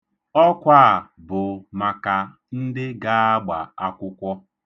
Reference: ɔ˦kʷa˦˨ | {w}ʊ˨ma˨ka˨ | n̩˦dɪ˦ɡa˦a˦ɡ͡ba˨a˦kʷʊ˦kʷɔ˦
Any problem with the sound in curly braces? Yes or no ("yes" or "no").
yes